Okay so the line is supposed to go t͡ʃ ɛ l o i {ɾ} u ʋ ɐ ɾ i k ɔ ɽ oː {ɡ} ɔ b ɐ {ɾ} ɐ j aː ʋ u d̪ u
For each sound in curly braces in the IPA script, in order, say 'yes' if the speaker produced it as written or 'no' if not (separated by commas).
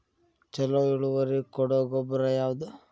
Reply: no, yes, yes